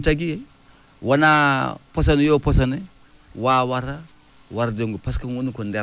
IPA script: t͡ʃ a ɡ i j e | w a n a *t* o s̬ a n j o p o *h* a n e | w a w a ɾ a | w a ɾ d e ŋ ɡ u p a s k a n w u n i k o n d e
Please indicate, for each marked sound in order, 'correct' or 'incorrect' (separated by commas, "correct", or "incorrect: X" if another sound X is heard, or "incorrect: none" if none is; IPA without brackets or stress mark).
incorrect: p, incorrect: s